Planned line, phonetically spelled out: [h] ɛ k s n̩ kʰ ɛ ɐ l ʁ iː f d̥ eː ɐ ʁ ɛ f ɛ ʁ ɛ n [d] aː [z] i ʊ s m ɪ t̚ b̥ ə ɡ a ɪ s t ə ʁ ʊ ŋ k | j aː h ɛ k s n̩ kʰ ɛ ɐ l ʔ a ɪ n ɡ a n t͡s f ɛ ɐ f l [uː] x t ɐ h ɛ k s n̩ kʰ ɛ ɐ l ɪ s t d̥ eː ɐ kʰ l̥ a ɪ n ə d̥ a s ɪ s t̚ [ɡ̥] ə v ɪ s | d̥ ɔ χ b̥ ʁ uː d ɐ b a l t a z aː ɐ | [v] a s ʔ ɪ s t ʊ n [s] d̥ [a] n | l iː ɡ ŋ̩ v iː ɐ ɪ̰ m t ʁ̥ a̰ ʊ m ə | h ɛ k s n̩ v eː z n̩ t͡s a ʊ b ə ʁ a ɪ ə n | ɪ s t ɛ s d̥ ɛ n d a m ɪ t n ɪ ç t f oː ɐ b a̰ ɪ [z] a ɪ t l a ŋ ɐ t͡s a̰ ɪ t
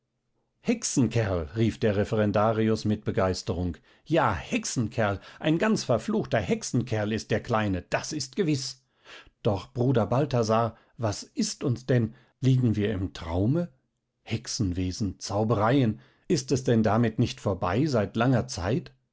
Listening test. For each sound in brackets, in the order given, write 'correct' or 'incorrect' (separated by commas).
correct, correct, incorrect, correct, correct, correct, correct, incorrect, correct